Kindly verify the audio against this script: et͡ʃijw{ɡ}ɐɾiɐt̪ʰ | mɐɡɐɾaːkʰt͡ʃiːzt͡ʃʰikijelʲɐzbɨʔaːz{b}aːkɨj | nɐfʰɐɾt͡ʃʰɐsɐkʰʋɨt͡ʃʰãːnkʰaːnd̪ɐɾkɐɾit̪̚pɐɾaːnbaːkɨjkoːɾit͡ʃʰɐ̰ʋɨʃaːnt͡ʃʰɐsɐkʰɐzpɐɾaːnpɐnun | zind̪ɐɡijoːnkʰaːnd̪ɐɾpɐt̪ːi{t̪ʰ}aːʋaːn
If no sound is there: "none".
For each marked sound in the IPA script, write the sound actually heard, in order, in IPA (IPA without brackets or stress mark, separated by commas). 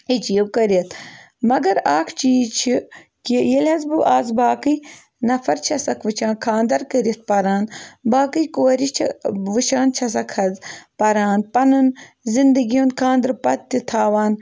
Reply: k, b, t̪ʰ